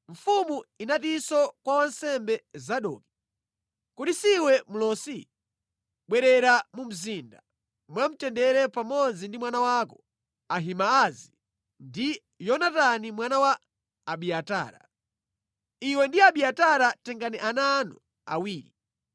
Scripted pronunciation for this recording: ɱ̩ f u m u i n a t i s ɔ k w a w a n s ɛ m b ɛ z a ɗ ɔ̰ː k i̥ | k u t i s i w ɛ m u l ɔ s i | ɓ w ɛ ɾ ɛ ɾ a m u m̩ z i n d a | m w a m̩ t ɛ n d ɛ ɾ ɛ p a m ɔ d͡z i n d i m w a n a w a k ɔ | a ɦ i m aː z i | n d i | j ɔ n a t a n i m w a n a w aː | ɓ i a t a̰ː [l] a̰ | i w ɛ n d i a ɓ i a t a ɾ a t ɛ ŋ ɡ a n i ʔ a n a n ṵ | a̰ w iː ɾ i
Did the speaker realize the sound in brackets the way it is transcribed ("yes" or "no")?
no